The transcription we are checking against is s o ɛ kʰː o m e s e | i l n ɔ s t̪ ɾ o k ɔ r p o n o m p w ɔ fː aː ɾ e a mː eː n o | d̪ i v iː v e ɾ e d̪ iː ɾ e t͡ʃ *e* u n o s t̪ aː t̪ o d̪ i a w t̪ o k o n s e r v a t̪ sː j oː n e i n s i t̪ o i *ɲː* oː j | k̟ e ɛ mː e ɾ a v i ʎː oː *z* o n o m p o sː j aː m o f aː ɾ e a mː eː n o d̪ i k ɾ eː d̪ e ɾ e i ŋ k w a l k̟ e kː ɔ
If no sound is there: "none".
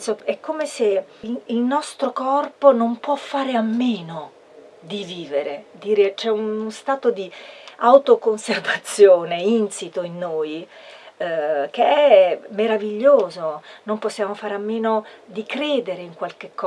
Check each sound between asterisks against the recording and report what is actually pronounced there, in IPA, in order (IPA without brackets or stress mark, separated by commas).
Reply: ɛ, nː, z